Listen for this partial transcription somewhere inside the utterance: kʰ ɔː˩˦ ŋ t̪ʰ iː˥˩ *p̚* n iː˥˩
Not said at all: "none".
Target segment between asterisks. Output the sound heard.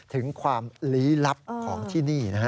none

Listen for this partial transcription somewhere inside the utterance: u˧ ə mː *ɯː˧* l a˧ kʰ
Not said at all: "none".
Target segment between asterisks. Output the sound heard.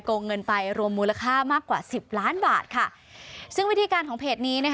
uː˧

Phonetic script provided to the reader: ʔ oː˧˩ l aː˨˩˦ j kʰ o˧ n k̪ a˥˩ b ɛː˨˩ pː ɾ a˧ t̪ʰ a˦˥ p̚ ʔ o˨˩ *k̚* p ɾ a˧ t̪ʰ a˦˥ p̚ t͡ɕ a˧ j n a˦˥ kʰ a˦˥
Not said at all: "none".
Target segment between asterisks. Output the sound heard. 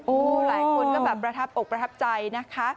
k̚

